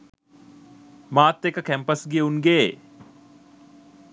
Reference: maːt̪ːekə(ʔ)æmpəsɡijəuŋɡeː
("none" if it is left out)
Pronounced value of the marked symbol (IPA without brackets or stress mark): k